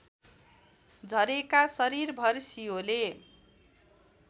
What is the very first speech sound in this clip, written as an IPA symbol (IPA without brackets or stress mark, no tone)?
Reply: d͡zʱ